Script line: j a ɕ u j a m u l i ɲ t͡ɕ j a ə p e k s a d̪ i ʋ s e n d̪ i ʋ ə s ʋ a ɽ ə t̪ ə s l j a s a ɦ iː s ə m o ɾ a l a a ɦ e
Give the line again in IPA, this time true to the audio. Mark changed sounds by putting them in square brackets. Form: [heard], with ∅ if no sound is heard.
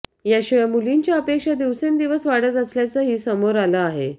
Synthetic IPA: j a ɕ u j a m u l i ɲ t͡ɕ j a ə p e k [ʂ] a d̪ i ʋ s e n d̪ i ʋ ə s ʋ a ɽ ə t̪ ə s l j a [t͡s] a ɦ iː s ə m o ɾ a l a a ɦ e